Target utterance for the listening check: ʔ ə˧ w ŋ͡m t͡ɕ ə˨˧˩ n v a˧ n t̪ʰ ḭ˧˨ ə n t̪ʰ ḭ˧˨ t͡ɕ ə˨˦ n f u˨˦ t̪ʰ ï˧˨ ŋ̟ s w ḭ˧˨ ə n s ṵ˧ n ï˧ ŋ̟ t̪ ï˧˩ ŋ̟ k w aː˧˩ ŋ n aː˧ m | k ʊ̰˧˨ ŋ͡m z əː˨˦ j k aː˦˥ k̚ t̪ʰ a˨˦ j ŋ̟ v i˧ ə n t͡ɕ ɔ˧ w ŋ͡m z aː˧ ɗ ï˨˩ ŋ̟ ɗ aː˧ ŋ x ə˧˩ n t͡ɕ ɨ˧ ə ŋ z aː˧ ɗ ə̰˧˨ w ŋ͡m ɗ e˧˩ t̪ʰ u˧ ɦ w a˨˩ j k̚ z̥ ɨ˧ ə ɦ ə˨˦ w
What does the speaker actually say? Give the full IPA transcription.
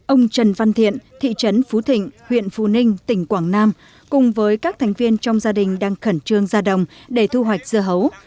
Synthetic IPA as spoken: ʔ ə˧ w ŋ͡m t͡ɕ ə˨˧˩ n v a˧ n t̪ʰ ḭ˧˨ ə n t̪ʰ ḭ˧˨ t͡ɕ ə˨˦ n f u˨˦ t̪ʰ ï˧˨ ŋ̟ h w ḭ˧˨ ə n f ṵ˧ n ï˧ ŋ̟ t̪ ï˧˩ ŋ̟ k w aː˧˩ ŋ n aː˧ m | k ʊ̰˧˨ ŋ͡m v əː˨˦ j k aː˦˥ k̚ t̪ʰ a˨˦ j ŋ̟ v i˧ ə n t͡ɕ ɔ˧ w ŋ͡m z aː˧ ɗ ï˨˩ ŋ̟ ɗ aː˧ ŋ x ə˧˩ n t͡ɕ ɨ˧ ə ŋ z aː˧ ɗ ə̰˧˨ w ŋ͡m ɗ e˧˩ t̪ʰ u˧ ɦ w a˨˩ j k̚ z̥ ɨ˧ ə ɦ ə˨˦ w